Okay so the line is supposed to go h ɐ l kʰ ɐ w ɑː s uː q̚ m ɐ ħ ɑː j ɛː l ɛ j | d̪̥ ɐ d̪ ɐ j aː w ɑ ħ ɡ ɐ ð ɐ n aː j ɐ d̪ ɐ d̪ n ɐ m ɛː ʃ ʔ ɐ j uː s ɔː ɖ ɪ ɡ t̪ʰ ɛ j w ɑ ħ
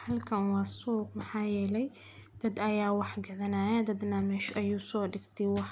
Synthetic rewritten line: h ɐ l kʰ ɐ w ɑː s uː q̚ m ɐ ħ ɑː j ɛː l ɛ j | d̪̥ ɐ d̪ ɐ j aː w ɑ ħ ɡ ɐ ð ɐ n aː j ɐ d̪ ɐ d̪ n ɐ m ɛː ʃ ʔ ɐ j uː s ɔː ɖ ɪ ɡ t̪ʰ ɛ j w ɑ ħ